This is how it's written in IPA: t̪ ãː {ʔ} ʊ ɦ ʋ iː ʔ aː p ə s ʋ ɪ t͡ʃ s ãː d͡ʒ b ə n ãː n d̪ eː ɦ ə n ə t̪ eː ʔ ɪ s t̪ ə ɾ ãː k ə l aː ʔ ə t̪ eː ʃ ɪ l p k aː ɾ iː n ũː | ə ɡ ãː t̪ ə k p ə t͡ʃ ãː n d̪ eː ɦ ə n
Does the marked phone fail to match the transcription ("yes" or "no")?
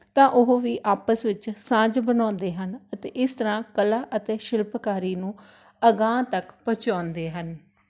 no